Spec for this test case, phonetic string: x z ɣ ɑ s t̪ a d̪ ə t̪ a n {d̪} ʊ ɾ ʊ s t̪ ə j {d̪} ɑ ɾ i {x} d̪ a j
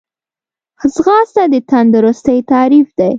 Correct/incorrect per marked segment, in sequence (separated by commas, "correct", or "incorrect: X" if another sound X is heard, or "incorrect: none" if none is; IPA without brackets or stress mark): correct, incorrect: t̪, incorrect: f